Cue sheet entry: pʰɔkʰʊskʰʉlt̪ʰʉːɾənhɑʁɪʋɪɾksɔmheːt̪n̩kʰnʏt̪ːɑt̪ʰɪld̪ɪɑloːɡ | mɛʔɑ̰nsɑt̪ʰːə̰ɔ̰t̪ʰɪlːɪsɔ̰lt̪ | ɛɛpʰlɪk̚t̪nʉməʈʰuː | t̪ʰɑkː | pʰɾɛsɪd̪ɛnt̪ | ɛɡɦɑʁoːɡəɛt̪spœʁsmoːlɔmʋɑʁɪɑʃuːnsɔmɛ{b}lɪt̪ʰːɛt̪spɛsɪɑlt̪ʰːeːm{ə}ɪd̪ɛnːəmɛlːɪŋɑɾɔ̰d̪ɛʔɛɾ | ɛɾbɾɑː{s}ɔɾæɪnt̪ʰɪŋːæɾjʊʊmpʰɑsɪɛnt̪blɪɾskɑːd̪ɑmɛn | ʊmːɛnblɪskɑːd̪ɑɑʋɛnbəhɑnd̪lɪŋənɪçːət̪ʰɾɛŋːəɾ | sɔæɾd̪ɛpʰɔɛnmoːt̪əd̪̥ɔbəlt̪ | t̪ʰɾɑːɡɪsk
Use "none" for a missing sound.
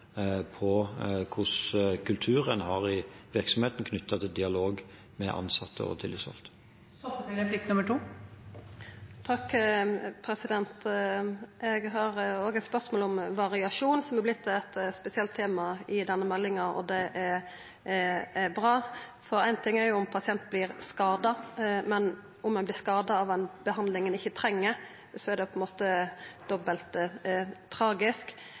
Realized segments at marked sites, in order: b, ɑ, f

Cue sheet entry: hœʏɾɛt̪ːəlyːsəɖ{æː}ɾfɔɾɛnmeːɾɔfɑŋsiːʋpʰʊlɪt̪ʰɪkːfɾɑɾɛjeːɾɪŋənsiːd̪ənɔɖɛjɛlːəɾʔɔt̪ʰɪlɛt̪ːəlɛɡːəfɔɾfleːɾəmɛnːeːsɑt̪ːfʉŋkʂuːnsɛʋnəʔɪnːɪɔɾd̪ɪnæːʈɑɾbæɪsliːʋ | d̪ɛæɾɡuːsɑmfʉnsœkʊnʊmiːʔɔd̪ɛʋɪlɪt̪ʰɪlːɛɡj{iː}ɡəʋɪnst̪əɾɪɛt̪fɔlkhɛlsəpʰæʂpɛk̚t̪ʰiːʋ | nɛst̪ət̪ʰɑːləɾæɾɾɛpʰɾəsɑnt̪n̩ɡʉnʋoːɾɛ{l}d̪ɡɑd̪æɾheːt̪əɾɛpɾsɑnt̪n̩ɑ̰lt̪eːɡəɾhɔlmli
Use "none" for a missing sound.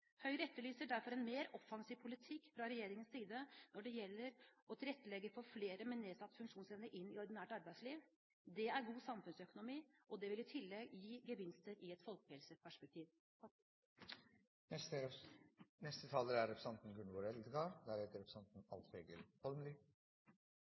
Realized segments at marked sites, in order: æ, iː, l

